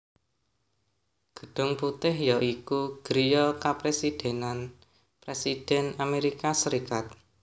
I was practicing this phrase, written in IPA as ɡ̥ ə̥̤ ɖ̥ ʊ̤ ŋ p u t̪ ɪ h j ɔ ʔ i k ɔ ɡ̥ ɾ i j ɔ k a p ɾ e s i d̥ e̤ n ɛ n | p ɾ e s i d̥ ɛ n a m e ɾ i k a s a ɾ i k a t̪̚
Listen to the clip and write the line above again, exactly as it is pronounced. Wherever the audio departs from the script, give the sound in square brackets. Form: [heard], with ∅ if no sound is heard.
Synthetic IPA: ɡ̥ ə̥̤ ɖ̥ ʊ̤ ŋ p u t̪ ɪ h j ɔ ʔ i k [u] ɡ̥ ɾ i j ɔ k a p ɾ e s i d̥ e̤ n [a] n | p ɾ e s i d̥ ɛ n a m e ɾ i k a s [ə] ɾ i k a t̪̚